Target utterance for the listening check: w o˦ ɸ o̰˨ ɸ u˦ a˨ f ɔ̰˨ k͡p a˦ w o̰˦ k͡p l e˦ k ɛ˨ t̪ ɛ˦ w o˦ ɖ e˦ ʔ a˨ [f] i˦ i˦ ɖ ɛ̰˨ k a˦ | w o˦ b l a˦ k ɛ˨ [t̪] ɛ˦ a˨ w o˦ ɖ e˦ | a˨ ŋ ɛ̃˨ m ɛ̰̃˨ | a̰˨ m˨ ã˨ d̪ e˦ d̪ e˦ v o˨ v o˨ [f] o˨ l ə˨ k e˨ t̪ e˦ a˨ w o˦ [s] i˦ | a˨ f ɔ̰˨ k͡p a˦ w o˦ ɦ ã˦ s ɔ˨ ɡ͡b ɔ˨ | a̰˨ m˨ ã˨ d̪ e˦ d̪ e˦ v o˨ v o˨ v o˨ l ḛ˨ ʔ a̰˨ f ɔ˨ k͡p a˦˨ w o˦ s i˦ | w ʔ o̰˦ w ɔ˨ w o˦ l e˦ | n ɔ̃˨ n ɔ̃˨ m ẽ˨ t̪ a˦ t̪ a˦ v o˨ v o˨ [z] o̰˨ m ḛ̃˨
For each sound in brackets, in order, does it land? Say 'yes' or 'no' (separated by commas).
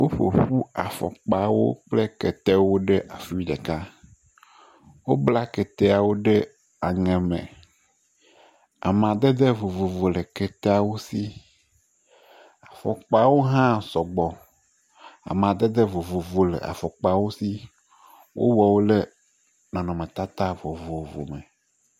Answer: yes, yes, no, yes, no